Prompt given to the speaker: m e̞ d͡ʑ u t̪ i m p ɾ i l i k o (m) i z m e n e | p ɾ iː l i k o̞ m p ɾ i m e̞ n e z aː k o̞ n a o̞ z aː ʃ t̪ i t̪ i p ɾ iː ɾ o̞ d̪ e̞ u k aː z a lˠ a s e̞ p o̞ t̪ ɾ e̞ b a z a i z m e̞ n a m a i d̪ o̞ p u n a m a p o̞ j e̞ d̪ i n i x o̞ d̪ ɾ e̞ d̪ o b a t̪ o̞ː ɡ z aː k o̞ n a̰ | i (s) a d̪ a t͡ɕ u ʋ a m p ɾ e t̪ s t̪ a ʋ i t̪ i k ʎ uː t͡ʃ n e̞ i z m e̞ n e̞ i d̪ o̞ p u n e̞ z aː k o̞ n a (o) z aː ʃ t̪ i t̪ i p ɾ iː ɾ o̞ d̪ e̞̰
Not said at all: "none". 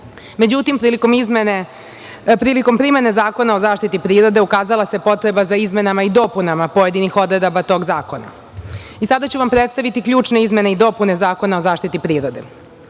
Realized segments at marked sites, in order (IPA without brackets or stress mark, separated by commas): m, s, o